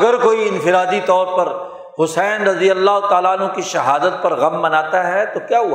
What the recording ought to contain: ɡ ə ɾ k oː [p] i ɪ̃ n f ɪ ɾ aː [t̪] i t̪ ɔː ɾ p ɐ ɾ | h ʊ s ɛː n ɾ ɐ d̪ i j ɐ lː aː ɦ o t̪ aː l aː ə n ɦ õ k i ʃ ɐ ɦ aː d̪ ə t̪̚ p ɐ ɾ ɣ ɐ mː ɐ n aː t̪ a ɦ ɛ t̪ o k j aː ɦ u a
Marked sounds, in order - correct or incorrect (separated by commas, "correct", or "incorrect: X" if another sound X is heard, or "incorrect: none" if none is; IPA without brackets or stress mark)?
incorrect: none, incorrect: d̪